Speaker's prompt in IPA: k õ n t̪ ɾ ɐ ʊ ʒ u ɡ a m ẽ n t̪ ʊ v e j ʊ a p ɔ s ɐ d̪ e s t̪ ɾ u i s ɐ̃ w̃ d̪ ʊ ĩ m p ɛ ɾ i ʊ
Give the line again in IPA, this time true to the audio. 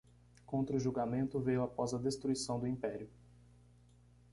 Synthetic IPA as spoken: k õ n t̪ ɾ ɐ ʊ ʒ u ɡ a m ẽ n t̪ ʊ v e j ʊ a p ɔ z ɐ d̪ e s t̪ ɾ u i s ɐ̃ w̃ d̪ ʊ ĩ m p ɛ ɾ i ʊ